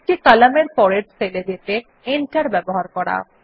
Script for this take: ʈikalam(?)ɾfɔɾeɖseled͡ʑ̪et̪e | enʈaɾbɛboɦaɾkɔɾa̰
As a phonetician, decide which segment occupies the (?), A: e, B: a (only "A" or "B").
A